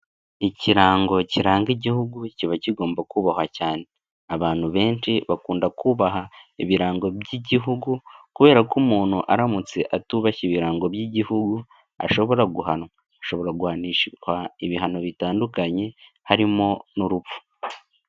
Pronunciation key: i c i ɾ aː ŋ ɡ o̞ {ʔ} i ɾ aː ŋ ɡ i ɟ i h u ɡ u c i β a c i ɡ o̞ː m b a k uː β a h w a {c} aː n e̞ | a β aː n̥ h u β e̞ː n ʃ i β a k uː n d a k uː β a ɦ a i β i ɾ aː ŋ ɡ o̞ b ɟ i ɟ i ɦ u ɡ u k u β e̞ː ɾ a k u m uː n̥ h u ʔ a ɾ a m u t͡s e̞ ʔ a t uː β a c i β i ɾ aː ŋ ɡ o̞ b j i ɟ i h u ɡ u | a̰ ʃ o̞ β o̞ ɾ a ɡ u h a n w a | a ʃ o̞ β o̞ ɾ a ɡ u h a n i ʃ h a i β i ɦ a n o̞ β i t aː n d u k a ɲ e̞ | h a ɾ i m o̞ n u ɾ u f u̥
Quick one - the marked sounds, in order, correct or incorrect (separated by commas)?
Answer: incorrect, correct